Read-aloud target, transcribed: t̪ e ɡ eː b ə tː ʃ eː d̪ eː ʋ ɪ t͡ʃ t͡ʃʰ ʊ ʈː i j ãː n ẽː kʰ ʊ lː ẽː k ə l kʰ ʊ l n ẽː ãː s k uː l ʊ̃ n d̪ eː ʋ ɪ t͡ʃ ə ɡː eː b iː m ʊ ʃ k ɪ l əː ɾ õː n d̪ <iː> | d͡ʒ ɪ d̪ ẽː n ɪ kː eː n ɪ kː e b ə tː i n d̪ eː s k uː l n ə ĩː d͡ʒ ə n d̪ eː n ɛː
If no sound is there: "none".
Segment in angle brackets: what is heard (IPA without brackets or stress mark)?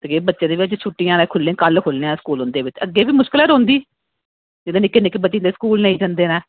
iː